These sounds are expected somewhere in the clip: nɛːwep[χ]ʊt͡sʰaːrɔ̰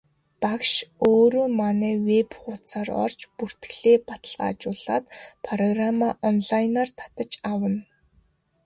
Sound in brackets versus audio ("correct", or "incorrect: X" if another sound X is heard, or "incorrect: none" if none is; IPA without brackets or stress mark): correct